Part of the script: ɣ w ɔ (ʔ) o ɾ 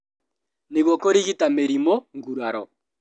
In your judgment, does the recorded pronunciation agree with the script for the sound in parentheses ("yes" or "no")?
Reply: no